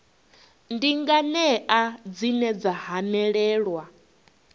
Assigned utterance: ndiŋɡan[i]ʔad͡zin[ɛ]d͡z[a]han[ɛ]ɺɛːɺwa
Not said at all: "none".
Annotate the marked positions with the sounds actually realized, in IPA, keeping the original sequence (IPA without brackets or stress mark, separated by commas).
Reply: ɛ, ɛ, a, ɛ